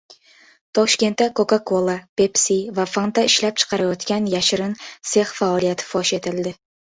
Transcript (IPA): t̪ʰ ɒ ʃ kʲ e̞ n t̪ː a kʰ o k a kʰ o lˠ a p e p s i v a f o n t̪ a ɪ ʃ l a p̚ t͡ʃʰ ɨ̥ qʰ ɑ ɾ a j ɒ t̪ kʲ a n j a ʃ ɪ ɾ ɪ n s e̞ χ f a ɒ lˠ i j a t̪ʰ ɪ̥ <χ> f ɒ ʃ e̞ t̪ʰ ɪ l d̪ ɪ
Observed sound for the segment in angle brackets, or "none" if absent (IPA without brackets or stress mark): none